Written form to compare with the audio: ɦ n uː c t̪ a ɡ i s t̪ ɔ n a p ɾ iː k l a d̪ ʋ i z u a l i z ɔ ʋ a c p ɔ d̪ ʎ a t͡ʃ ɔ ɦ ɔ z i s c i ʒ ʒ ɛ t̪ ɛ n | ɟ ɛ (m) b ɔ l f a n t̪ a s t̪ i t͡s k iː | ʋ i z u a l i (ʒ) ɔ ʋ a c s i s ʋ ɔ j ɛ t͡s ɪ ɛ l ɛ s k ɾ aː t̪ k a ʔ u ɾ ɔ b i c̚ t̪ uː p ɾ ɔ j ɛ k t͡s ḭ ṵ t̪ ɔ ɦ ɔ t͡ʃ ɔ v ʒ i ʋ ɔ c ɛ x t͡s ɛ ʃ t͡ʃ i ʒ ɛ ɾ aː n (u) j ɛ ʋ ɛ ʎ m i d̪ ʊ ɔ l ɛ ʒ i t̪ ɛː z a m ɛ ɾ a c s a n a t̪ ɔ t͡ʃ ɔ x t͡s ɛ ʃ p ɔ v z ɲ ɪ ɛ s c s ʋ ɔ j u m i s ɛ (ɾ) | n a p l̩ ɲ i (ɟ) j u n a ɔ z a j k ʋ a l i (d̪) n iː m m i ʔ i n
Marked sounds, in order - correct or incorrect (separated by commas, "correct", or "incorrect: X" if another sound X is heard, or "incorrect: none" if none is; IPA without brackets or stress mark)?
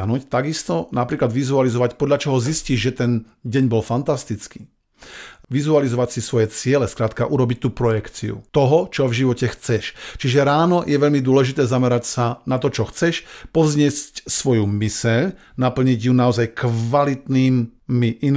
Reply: incorrect: ɲ, incorrect: z, incorrect: ɔ, incorrect: ʎ, correct, incorrect: t̪